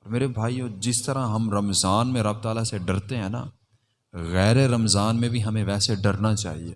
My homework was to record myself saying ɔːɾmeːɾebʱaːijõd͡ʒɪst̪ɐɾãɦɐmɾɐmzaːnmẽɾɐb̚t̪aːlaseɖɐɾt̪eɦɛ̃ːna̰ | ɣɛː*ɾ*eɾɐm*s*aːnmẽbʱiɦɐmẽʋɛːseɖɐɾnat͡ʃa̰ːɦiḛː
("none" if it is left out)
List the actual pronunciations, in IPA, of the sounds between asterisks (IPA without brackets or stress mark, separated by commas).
ɾ, z